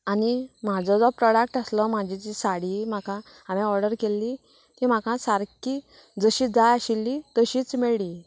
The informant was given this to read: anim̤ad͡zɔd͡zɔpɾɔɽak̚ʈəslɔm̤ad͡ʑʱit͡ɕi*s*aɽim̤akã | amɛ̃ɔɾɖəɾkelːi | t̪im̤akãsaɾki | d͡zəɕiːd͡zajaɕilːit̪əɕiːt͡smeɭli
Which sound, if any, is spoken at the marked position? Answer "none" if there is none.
s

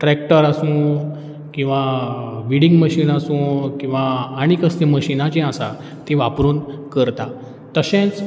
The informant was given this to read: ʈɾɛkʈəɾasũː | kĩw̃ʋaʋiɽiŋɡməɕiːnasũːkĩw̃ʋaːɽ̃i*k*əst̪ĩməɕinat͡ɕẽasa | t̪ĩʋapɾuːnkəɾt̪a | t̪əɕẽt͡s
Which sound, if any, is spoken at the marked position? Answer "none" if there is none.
k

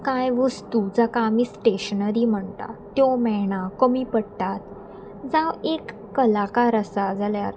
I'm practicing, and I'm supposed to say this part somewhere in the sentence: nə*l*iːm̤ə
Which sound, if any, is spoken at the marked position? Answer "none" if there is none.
ɾ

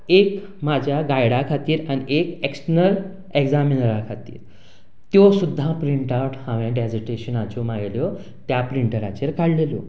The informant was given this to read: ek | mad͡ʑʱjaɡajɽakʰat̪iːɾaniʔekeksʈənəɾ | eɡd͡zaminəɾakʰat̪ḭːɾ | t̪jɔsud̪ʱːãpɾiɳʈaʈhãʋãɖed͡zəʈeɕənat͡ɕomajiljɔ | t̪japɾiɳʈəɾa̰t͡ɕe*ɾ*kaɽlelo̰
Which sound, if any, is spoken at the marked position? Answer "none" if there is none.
ɾ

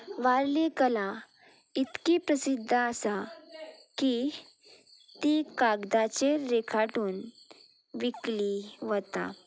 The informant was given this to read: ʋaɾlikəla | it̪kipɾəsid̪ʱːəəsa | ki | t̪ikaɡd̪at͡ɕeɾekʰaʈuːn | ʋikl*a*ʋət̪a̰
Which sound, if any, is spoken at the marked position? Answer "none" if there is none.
i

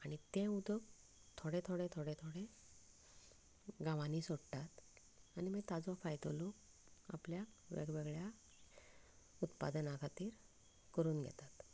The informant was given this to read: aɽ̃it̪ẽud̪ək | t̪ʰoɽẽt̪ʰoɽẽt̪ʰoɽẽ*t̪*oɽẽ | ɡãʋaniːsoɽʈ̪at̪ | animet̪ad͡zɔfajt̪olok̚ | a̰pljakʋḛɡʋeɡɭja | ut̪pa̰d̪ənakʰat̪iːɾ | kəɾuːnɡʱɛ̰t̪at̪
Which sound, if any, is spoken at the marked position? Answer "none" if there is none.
t̪ʰ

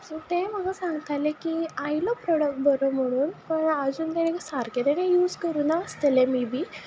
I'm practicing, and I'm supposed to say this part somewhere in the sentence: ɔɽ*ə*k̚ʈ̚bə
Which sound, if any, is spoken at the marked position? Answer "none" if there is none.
ə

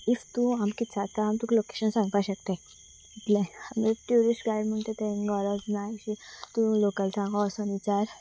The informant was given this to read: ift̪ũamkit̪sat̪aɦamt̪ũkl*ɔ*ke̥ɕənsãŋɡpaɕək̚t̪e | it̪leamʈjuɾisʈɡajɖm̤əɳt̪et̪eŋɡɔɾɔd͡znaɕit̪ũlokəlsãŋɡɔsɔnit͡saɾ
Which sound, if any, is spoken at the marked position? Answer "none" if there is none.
o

